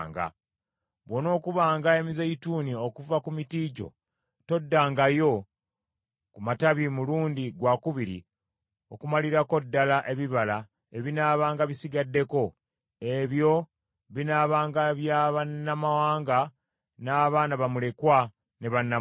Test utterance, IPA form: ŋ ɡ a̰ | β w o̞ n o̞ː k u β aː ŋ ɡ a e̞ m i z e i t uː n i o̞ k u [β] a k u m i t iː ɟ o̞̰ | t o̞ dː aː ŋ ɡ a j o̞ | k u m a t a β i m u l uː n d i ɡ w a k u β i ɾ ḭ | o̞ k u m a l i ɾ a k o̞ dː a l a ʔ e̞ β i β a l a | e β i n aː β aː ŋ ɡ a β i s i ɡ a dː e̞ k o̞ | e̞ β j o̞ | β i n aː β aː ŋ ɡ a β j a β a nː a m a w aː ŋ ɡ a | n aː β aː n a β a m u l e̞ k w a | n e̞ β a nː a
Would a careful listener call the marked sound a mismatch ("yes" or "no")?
yes